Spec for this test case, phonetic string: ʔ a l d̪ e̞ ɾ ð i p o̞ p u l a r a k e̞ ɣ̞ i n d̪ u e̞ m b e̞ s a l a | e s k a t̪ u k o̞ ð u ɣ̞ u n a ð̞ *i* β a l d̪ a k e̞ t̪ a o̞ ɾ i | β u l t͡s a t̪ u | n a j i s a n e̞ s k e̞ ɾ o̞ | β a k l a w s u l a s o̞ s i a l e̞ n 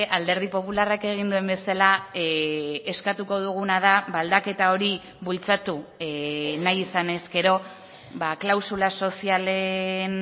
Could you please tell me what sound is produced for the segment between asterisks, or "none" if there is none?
a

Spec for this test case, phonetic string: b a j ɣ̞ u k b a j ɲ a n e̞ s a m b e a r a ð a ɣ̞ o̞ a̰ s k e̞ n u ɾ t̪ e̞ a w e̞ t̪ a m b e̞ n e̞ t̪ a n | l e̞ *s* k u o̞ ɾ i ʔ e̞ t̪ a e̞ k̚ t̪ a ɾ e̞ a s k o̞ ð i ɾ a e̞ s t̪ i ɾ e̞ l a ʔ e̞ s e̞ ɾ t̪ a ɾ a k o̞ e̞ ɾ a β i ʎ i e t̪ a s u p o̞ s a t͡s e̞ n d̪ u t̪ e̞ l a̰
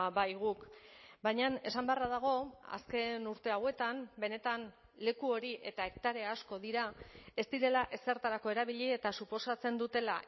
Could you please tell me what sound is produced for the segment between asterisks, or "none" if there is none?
none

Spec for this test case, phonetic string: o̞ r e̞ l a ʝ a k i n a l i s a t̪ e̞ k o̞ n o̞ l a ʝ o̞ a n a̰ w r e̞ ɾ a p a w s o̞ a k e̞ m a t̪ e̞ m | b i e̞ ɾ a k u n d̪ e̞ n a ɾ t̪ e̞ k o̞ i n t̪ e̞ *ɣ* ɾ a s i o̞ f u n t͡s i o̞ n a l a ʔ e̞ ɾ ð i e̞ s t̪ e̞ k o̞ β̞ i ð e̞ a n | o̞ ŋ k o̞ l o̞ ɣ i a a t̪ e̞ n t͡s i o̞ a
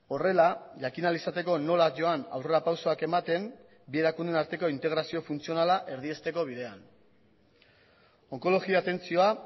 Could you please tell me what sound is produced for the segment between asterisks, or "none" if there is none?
ɣ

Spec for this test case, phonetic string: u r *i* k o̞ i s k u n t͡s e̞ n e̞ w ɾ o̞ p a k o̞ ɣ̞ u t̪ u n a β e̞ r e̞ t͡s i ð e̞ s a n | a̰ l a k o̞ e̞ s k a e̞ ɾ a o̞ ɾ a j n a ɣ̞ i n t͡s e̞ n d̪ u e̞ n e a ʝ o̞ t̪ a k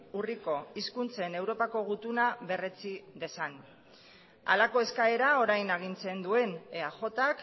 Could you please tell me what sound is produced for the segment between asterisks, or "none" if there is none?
i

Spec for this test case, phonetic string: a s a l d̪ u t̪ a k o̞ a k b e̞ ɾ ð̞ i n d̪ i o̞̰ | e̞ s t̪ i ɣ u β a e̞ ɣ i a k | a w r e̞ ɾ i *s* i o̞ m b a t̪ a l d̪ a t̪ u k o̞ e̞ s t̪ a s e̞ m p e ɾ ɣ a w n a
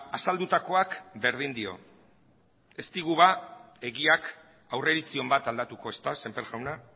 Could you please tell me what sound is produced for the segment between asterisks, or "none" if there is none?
t͡s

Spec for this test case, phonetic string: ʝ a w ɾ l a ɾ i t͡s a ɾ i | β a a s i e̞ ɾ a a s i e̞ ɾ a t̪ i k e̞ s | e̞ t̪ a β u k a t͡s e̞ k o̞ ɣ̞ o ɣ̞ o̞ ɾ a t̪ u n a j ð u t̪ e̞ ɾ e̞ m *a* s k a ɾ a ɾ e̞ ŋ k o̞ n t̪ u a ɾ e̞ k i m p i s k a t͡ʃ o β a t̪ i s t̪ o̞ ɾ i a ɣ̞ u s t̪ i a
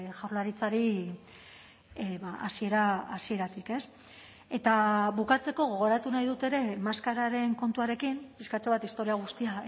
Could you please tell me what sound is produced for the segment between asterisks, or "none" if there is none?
a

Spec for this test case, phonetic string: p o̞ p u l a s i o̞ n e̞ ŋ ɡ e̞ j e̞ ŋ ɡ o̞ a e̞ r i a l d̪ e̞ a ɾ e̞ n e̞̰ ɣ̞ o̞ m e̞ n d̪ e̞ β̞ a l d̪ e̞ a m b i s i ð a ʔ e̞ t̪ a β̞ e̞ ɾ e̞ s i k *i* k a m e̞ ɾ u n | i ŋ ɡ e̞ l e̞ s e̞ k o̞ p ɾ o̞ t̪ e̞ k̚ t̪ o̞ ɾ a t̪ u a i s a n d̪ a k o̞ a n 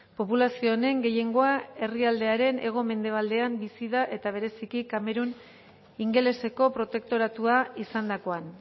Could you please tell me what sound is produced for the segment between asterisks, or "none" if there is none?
i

